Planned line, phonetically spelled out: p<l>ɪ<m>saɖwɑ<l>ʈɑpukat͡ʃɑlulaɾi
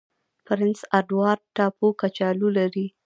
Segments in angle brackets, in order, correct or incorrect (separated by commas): incorrect, incorrect, incorrect